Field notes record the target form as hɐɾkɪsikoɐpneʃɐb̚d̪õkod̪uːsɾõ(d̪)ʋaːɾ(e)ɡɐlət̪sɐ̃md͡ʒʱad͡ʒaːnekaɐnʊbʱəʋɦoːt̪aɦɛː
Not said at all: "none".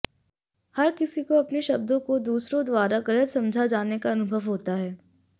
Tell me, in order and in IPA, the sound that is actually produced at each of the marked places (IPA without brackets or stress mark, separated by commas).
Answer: d̪, a